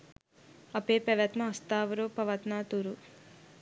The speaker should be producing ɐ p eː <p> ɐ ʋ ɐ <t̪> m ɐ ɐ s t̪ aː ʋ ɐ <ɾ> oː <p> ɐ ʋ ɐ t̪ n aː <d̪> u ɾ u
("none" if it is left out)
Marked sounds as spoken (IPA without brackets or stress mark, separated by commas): p, t̪, ɾ, p, t̪